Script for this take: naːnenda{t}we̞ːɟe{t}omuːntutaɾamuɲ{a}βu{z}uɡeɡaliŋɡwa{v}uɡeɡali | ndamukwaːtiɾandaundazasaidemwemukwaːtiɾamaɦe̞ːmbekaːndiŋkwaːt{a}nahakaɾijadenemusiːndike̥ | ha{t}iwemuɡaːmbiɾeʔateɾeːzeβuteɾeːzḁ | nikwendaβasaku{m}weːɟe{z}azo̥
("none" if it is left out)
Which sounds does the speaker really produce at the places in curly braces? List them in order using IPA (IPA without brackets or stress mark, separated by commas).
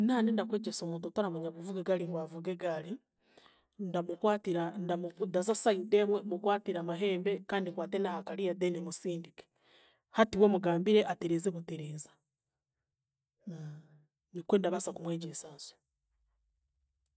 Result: k, s, a, v, v, e, t, m, s